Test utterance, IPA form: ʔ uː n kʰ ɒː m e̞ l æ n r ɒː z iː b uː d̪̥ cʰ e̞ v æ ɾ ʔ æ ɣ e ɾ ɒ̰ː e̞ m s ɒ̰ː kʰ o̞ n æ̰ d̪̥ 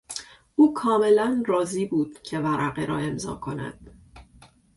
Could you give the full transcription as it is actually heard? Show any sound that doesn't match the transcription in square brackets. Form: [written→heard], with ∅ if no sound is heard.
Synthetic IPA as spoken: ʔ uː [n→∅] kʰ ɒː m e̞ l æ n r ɒː z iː b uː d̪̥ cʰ e̞ v æ ɾ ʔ æ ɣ e ɾ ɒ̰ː e̞ m [s→z] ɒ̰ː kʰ o̞ n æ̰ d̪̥